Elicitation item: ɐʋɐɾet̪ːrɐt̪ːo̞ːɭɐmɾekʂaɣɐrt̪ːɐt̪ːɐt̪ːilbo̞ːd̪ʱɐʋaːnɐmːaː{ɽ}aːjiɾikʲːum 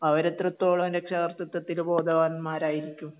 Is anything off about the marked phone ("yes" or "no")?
yes